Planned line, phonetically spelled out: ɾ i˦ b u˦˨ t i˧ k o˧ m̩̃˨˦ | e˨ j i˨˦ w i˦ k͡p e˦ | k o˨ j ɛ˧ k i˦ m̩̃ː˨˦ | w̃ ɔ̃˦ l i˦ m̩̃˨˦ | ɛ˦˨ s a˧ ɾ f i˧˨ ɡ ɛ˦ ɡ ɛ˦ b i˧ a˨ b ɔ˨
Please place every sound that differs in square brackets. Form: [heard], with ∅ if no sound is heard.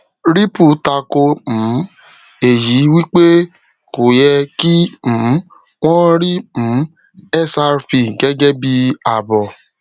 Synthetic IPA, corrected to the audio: ɾ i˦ [p] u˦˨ t [a˧] k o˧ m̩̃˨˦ | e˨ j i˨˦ w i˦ k͡p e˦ | k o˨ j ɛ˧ k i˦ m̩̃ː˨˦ | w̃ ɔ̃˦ [ɾ] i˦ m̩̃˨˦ | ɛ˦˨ s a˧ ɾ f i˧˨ ɡ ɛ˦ ɡ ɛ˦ b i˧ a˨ b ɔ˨